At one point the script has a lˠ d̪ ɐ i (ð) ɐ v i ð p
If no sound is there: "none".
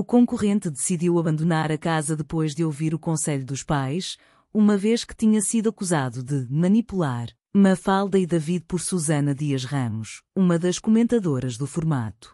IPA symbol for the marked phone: ð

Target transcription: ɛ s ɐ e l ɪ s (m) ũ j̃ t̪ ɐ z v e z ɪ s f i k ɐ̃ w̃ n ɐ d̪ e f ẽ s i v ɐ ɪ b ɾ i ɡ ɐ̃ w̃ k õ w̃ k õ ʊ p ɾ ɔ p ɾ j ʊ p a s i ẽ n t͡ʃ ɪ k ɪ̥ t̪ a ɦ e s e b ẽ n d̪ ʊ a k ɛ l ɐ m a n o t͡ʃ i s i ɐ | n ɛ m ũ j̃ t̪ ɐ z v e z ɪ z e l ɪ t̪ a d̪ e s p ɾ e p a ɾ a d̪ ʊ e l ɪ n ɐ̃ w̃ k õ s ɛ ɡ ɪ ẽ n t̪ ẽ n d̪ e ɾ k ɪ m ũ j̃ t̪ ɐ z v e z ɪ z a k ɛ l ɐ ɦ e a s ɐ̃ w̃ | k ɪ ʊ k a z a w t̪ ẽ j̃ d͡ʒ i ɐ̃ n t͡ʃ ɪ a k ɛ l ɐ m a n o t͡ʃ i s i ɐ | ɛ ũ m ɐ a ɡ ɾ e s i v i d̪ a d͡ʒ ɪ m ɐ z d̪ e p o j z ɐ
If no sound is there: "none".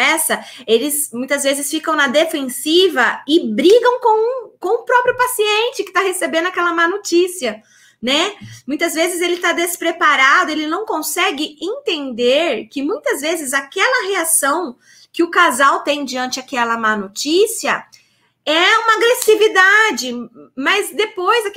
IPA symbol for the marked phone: m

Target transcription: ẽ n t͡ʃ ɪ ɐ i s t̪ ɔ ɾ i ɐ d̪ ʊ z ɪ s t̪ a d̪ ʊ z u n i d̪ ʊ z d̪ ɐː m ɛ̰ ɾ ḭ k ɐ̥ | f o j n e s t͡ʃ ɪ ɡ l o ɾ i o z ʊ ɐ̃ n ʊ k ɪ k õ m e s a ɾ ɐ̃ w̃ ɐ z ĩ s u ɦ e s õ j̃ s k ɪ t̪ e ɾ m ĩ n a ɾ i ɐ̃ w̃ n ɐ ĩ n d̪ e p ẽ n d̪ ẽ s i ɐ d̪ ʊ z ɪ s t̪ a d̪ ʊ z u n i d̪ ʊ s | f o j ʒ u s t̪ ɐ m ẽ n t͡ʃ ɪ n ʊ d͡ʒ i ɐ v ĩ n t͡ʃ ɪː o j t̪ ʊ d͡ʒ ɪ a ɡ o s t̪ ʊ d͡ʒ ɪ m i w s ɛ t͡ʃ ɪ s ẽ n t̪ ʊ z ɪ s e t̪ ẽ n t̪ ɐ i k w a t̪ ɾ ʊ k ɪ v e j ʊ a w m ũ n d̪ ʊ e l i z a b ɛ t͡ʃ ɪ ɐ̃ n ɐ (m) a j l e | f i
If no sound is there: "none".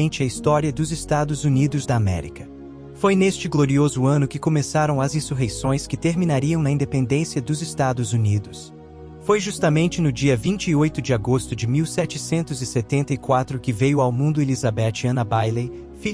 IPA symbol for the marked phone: b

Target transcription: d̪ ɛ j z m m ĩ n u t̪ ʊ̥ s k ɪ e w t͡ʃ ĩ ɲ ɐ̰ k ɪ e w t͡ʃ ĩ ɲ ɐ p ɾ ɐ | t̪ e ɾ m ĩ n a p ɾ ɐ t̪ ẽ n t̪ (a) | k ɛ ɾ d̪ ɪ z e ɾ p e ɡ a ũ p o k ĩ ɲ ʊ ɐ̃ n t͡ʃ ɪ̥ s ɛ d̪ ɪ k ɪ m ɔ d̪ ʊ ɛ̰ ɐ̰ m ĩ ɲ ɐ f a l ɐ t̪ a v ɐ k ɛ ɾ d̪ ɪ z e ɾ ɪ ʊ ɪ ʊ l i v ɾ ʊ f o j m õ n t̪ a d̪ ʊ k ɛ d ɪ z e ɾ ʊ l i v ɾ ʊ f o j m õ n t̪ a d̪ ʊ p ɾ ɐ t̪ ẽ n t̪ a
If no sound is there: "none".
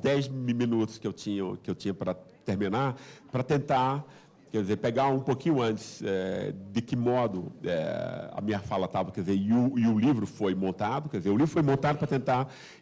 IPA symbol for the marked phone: a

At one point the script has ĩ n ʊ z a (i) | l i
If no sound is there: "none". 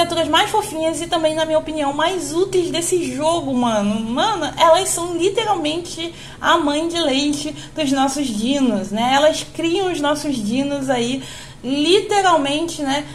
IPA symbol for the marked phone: i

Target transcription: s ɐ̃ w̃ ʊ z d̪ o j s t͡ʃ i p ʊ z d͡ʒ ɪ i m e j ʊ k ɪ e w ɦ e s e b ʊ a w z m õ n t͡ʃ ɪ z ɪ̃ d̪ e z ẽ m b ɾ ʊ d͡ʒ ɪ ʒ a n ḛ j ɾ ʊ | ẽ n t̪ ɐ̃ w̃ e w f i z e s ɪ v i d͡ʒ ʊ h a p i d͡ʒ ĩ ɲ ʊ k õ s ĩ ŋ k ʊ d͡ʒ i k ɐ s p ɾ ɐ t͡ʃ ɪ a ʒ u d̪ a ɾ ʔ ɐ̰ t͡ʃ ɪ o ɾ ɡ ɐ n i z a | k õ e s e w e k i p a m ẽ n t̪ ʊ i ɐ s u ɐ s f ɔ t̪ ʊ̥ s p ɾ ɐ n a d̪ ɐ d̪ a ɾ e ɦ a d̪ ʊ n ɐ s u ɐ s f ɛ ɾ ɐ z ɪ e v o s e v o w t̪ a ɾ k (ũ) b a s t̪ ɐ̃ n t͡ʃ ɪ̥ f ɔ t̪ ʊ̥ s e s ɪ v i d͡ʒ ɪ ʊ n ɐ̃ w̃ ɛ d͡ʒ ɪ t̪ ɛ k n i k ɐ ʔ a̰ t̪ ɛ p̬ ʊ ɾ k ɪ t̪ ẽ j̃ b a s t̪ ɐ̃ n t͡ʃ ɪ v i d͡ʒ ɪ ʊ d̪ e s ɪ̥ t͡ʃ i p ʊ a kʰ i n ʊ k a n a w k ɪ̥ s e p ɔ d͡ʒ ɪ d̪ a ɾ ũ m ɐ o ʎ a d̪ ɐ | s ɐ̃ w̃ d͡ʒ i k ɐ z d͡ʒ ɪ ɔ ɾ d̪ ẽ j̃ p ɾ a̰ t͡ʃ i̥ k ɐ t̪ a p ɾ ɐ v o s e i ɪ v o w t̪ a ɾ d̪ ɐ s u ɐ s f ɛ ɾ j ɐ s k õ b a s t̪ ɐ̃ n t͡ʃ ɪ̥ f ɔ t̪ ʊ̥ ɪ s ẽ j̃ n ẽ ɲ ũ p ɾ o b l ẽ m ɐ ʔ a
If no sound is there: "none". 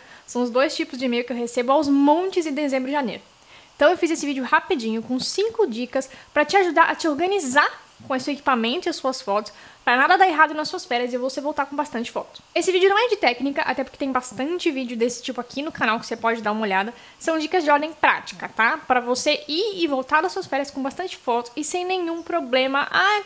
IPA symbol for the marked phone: õ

